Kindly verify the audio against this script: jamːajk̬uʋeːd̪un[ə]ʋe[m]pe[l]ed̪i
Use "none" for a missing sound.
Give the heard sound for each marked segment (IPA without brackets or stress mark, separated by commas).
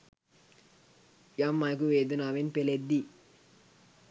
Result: a, n, l